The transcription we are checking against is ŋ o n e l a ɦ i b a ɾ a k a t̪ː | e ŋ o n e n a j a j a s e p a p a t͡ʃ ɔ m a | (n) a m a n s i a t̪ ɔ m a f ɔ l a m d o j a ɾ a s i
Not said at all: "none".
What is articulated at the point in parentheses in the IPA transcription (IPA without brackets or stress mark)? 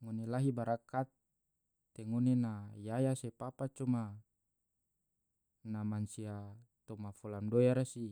n